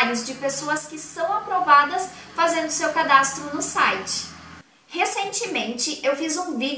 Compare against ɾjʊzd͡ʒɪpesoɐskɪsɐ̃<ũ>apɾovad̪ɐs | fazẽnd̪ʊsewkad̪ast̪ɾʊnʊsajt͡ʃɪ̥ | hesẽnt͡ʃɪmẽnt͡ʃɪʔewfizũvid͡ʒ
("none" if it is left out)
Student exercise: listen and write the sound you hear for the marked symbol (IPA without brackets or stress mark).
w̃